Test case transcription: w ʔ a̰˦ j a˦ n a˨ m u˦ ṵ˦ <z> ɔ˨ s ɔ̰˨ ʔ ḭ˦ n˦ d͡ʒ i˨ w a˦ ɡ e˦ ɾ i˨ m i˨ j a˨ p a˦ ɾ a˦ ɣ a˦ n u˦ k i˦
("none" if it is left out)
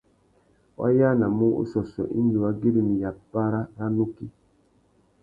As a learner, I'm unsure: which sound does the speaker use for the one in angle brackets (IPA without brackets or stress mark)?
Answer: s